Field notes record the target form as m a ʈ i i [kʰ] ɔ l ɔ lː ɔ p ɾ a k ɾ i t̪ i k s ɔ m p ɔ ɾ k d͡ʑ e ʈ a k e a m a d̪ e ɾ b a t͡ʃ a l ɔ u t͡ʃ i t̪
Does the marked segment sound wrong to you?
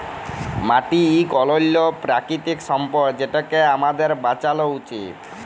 yes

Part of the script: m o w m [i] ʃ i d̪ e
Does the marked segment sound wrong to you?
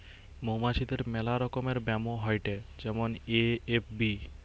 yes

